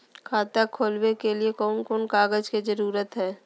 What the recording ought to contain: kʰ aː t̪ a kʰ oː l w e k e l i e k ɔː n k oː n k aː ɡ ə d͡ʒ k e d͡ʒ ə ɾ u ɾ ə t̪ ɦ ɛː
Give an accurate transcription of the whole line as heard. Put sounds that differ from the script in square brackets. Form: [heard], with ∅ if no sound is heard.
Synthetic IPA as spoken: kʰ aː t̪ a kʰ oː l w e k e l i e k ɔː n k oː n k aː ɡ ə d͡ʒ k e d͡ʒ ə ɾ [uː] ɾ ə t̪ ɦ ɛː